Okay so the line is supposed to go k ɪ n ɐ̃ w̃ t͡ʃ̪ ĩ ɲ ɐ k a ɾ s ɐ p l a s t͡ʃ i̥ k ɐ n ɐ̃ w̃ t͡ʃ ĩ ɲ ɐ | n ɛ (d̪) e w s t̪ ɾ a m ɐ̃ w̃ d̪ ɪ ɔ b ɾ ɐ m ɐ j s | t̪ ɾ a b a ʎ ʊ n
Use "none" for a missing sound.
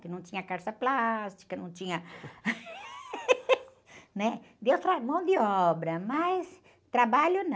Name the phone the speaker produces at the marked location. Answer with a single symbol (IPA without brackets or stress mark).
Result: d̪